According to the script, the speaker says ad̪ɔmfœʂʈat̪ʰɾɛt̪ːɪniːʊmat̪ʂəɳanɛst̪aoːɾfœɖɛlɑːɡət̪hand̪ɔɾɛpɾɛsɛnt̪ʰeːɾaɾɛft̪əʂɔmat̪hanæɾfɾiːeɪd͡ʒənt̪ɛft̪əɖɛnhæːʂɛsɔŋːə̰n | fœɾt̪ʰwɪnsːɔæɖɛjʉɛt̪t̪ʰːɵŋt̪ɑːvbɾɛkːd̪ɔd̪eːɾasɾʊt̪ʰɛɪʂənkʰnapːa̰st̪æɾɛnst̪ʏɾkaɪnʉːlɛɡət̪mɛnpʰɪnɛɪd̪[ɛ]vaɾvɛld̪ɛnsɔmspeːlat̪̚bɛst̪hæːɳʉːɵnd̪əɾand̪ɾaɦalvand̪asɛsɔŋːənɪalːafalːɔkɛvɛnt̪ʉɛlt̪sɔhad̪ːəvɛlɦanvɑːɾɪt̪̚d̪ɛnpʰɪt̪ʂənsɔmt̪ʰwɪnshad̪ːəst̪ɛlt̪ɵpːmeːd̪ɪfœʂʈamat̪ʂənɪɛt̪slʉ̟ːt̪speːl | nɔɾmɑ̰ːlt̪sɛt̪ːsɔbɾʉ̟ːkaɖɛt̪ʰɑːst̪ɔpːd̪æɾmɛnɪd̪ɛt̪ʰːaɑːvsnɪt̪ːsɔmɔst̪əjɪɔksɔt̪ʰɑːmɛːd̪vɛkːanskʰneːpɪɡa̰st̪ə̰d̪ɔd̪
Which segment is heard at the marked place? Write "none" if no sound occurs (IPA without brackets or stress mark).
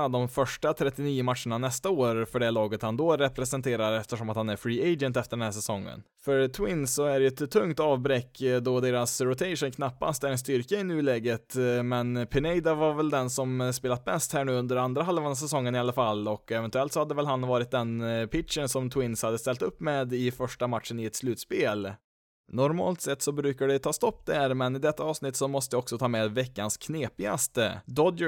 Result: a